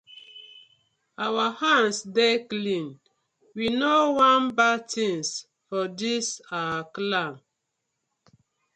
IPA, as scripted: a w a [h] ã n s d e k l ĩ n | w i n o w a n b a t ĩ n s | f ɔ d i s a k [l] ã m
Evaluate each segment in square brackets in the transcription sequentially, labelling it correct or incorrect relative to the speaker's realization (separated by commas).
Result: correct, correct